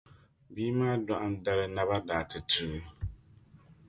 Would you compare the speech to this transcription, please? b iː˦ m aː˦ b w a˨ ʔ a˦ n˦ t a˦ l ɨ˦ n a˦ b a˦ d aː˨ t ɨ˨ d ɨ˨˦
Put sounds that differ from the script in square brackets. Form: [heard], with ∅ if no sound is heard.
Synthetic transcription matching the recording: b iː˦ m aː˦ [d] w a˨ ʔ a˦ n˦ [d] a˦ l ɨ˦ n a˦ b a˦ d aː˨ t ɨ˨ [t] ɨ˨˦